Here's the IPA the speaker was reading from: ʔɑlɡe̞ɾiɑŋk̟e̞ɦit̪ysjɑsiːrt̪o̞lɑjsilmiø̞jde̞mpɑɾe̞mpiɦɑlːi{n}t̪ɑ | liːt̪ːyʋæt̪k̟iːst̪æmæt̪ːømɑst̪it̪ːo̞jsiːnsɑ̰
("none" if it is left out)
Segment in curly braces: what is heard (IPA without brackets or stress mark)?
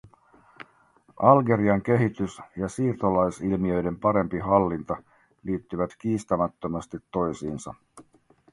n